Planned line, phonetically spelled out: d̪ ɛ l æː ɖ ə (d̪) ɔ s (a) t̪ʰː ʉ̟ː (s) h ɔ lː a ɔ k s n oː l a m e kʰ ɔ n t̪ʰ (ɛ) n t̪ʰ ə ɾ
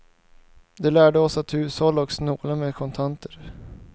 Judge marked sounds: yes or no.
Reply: no, yes, yes, no

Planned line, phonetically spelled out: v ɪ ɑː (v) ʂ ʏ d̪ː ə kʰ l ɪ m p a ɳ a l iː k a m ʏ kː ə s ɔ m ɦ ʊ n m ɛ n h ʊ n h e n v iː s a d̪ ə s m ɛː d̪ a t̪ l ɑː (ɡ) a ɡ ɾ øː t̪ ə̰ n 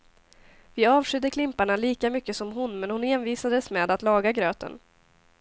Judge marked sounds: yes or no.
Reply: yes, yes

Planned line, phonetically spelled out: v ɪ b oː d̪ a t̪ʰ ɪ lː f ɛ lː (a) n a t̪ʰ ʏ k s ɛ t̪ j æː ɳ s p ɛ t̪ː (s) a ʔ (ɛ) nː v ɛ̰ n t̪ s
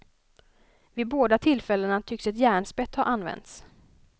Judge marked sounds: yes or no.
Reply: no, no, no

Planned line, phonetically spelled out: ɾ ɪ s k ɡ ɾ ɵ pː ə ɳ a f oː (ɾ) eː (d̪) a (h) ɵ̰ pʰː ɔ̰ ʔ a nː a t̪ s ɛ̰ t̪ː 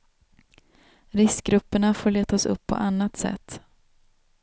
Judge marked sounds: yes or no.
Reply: no, no, no

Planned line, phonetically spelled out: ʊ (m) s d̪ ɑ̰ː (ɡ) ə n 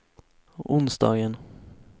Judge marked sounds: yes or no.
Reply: no, yes

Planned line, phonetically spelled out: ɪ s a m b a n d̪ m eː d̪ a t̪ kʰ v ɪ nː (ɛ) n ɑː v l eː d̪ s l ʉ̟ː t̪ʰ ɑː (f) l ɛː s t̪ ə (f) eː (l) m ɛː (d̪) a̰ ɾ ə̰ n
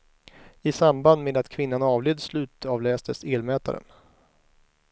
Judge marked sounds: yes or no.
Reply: no, no, no, yes, no

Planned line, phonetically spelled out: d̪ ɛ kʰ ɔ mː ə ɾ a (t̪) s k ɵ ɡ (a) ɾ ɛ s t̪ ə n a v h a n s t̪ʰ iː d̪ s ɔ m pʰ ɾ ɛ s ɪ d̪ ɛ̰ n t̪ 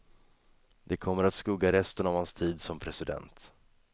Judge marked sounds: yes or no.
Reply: yes, yes

